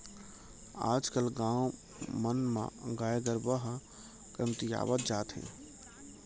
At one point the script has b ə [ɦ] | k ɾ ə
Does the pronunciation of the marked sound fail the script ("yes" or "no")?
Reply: no